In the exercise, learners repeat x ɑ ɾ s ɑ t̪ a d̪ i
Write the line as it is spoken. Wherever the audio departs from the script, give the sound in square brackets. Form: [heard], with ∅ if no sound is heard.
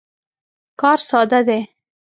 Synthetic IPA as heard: [k] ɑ ɾ s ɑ [d̪] a d̪ [e]